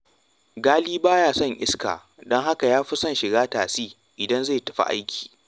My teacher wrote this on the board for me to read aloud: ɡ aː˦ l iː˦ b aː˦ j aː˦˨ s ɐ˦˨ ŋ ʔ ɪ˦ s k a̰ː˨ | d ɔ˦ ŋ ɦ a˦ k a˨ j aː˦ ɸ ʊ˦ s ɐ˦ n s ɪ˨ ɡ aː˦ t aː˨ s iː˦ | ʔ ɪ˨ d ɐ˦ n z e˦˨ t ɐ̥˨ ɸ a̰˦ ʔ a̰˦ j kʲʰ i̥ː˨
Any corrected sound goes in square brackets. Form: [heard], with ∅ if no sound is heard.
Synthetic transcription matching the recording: ɡ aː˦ l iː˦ b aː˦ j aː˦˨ s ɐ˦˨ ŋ ʔ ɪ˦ s k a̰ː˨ | d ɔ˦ ŋ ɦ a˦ k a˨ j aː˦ ɸ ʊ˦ s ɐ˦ n [ʃ] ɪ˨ ɡ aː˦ t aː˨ s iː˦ | ʔ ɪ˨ d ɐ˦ n z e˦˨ t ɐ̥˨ ɸ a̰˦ ʔ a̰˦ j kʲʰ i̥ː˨

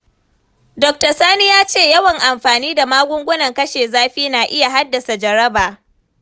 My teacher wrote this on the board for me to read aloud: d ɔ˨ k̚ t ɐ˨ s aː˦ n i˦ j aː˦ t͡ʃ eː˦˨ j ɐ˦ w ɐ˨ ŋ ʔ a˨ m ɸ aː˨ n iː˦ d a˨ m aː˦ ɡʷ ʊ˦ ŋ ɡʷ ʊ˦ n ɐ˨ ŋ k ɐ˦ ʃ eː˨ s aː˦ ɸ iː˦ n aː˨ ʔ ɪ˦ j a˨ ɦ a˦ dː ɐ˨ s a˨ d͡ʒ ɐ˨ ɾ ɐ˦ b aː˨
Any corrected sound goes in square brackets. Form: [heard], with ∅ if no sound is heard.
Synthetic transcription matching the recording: d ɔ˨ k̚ t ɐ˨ s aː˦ n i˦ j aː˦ t͡ʃ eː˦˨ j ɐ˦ w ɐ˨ ŋ ʔ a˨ m ɸ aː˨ n iː˦ d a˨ m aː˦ ɡʷ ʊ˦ ŋ ɡʷ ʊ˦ n ɐ˨ ŋ k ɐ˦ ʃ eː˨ [z] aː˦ ɸ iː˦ n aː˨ ʔ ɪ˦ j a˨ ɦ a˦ dː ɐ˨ s a˨ d͡ʒ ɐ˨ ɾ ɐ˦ b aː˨

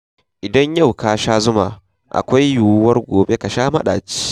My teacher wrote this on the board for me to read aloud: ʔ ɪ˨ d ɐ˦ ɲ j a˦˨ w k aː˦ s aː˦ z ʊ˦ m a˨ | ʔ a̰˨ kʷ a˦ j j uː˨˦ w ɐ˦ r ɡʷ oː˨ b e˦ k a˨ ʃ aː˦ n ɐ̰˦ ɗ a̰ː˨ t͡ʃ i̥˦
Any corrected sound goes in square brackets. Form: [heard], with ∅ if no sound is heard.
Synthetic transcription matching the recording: ʔ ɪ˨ d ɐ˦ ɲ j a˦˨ w k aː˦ [ʃ] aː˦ z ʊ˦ m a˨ | ʔ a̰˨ kʷ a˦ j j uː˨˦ w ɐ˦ r ɡʷ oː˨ b e˦ k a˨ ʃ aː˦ [m] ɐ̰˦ ɗ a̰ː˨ t͡ʃ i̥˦

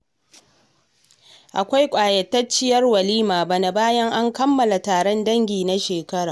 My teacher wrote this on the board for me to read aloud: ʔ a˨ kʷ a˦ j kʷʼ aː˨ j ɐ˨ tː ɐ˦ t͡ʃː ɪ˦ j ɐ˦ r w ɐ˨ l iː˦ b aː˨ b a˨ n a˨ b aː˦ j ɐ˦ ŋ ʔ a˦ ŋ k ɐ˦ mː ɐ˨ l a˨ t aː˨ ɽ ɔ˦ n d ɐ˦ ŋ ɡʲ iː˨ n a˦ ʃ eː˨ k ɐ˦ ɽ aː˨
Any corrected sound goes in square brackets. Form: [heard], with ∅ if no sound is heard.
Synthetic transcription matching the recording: ʔ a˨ kʷ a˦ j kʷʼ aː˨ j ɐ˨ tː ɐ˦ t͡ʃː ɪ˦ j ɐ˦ r w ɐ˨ l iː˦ [m] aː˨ b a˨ n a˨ b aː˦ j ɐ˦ ŋ ʔ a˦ ŋ k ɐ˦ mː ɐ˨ l a˨ t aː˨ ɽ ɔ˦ n d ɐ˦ ŋ ɡʲ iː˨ n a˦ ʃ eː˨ k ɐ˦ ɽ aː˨

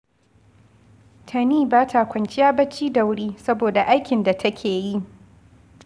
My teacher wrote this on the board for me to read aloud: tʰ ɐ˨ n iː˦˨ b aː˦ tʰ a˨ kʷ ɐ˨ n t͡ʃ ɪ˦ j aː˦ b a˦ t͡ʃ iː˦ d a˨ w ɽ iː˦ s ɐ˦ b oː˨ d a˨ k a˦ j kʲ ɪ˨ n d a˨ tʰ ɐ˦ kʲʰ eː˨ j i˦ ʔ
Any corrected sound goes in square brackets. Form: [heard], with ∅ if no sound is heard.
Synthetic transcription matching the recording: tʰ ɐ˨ n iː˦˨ b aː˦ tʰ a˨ kʷ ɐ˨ n t͡ʃ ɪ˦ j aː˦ b [ɐ˦] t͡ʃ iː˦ d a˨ w ɽ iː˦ s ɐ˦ b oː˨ d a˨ [ʔ] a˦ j kʲ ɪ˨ n d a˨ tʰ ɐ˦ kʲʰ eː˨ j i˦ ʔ

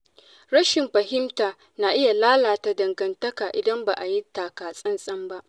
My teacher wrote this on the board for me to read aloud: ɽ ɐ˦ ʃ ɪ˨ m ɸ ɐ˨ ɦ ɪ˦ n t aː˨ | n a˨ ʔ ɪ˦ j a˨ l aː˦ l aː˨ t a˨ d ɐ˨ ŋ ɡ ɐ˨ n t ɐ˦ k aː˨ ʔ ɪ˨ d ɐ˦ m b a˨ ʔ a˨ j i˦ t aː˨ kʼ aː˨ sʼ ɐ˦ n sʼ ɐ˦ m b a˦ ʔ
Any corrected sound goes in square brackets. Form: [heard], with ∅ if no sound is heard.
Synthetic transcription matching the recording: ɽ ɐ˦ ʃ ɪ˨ m ɸ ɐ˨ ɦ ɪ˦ [m] t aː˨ | n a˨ ʔ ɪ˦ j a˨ l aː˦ l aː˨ t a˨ d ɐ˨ ŋ ɡ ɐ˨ n t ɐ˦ k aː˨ ʔ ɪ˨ d ɐ˦ m b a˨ ʔ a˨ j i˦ t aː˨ [k] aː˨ sʼ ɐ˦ n sʼ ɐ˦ m b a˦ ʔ

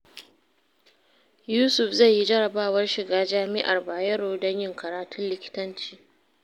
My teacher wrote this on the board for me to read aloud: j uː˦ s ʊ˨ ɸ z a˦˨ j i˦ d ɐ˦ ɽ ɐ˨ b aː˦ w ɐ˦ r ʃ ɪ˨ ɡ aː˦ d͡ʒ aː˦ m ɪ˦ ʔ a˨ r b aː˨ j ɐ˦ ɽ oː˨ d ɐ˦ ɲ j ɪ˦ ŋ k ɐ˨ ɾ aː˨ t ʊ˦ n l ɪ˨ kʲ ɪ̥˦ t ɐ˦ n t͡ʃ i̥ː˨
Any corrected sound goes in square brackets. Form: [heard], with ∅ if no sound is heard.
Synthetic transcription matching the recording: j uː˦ s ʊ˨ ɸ z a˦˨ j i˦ [d͡ʒ] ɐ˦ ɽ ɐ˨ b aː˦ w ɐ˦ r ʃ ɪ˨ ɡ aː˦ d͡ʒ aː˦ m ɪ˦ ʔ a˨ r b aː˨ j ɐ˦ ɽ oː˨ d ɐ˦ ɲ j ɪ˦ ŋ k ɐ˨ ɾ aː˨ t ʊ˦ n l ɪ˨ kʲ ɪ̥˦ t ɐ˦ n t͡ʃ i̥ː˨

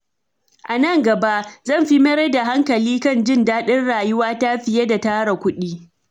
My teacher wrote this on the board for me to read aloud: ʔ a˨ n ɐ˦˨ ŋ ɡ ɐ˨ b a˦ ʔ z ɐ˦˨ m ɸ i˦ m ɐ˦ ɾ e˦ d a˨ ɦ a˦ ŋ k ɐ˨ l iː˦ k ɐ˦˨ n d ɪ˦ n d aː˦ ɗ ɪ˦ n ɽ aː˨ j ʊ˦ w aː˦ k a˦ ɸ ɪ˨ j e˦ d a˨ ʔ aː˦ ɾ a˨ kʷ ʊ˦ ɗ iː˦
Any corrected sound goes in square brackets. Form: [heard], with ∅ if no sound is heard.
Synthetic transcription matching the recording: ʔ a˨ n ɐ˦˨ ŋ ɡ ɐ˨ b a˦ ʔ z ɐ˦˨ m ɸ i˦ m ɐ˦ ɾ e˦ d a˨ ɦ a˦ ŋ k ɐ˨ l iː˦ k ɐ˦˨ n [d͡ʒ] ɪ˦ n d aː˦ ɗ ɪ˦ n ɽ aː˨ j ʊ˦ w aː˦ [t] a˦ ɸ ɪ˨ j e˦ d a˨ [t] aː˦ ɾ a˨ kʷ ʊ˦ ɗ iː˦

